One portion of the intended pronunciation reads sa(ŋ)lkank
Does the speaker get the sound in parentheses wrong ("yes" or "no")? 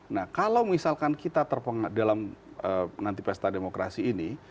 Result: yes